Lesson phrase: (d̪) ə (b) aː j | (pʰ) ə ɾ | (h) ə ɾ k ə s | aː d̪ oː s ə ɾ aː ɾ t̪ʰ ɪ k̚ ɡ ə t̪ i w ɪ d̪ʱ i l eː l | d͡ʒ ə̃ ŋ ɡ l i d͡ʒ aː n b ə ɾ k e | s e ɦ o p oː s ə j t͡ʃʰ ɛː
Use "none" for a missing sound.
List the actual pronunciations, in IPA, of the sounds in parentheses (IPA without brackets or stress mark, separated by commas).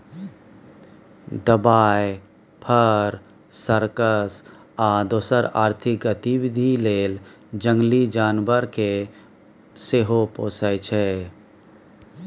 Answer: d̪, b, pʰ, s